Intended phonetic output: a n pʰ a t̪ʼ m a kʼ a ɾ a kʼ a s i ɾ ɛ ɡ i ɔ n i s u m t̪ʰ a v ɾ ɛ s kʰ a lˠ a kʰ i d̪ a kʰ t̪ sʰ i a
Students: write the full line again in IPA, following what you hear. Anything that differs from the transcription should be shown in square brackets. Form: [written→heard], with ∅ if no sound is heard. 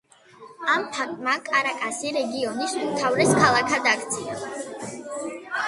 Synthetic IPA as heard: a [n→m] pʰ a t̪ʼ m a kʼ a ɾ a kʼ a s i ɾ ɛ ɡ i ɔ n i s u m t̪ʰ a v ɾ ɛ s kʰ a lˠ a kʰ [i→a] d̪ a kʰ t̪ sʰ i a